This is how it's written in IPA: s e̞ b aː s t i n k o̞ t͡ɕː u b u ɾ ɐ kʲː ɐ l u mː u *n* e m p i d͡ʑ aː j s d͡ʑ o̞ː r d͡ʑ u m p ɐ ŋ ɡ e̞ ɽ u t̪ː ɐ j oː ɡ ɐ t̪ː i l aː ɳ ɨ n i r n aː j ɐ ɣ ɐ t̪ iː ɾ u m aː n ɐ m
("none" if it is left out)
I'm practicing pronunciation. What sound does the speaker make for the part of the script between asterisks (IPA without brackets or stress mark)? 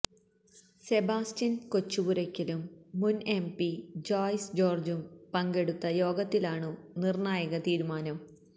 n